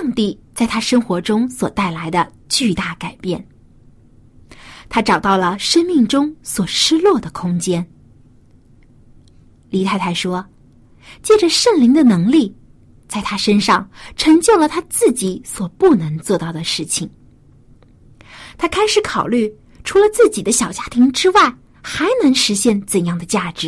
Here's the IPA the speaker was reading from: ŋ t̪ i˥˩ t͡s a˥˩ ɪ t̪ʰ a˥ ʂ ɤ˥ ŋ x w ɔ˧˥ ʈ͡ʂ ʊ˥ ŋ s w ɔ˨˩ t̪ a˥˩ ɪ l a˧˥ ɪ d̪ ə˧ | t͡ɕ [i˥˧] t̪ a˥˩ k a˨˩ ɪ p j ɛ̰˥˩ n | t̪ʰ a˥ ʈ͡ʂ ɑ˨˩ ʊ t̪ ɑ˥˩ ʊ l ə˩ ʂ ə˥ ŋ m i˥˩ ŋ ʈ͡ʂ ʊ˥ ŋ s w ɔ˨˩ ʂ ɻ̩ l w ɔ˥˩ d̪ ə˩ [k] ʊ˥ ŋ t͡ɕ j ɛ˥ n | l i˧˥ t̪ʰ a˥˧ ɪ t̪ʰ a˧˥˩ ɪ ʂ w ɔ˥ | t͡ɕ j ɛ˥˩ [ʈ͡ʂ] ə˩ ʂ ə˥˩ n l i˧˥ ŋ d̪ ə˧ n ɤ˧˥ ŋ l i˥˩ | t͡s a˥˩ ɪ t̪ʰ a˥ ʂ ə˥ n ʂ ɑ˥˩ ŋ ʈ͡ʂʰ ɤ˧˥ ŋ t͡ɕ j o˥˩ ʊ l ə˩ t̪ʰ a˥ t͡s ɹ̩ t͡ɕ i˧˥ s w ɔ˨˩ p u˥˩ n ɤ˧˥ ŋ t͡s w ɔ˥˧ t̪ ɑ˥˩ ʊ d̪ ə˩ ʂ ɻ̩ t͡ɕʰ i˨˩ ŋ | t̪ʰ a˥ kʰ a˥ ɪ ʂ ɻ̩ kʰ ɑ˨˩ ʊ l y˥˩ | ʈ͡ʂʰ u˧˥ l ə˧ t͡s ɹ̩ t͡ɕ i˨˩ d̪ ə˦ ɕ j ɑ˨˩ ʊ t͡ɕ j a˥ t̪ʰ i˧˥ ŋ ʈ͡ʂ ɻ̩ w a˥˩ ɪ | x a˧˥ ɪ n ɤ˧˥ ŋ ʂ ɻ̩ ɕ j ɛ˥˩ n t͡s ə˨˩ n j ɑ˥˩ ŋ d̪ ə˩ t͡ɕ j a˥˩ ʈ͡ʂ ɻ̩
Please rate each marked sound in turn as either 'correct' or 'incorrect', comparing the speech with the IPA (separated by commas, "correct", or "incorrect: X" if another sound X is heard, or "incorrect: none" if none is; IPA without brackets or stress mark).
incorrect: y˥˧, incorrect: kʰ, correct